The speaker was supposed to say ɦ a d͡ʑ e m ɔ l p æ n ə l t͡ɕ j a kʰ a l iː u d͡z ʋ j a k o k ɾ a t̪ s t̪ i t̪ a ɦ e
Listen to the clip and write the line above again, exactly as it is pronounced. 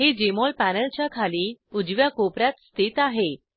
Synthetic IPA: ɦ e d͡ʑ e m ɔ l p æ n ə l t͡ɕ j a kʰ a l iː u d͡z ʋ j a k o p ɾ a t̪ s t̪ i t̪ a ɦ e